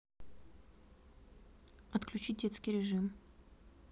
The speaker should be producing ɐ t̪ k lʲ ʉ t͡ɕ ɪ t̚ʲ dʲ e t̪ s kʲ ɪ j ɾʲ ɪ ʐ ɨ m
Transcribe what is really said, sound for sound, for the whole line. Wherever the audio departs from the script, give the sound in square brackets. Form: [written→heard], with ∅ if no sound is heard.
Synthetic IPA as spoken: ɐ t̪ k lʲ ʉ t͡ɕ [ɪ→i] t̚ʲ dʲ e t̪ s kʲ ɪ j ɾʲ ɪ ʐ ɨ m